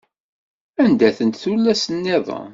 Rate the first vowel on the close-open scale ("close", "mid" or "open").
open